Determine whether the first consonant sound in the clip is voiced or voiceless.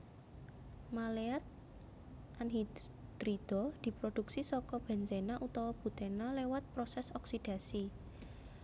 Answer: voiced